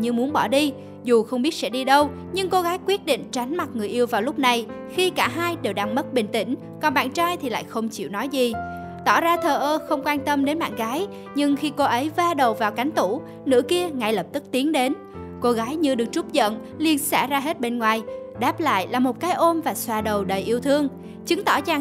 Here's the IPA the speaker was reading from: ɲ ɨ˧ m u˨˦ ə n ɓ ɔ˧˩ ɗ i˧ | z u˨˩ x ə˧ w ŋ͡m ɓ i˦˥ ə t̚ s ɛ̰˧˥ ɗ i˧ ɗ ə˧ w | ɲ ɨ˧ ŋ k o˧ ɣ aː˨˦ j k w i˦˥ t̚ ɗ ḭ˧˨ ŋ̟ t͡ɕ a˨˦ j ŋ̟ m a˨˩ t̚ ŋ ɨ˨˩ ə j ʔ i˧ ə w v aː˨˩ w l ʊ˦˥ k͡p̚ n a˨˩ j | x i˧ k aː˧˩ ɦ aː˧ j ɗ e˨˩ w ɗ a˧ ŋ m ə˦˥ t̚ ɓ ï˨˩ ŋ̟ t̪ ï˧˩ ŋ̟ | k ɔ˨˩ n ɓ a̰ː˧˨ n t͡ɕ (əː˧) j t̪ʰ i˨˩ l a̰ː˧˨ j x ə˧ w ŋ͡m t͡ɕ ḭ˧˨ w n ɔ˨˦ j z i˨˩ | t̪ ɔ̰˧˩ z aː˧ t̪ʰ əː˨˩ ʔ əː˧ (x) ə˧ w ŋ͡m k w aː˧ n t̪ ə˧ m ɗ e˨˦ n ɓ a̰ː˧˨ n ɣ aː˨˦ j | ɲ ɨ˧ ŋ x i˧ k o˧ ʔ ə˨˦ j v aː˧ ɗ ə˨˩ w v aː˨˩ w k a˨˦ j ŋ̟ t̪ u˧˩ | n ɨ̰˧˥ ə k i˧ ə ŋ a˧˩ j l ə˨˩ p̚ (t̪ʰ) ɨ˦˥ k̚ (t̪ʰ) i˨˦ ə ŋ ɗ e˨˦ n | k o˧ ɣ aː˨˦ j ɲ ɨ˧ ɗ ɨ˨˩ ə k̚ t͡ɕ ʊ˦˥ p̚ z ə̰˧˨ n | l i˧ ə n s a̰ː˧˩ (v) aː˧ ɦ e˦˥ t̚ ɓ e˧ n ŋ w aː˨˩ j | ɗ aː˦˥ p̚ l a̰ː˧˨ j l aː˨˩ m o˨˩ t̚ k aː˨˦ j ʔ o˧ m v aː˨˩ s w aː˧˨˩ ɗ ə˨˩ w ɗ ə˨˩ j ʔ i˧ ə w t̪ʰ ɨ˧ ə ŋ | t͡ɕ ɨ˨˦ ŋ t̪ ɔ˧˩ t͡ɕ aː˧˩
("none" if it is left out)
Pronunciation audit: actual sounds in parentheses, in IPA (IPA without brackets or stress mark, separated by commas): aː˧, x, t̪, t̪, z